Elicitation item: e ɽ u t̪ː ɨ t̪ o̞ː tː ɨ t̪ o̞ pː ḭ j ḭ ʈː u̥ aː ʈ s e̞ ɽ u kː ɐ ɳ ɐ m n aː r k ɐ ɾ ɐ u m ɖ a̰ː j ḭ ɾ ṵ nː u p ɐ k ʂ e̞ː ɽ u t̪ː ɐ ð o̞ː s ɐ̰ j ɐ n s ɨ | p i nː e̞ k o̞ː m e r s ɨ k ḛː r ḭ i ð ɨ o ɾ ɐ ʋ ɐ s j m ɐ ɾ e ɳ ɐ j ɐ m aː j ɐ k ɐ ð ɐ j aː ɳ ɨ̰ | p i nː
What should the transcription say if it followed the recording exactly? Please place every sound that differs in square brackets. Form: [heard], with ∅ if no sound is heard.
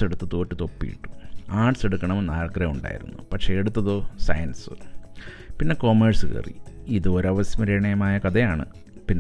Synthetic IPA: e ɽ u t̪ː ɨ t̪ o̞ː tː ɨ t̪ o̞ pː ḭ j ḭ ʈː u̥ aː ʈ s e̞ ɽ u kː ɐ ɳ ɐ m n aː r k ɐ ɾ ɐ u [ɳ] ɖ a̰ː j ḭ ɾ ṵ nː u p ɐ k ʂ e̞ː ɽ u t̪ː ɐ ð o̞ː s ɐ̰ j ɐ n s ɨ | p i nː e̞ k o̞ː m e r s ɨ k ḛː r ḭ i ð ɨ o ɾ ɐ ʋ ɐ s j m ɐ ɾ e ɳ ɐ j ɐ m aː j ɐ k ɐ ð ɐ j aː ɳ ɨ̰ | p i nː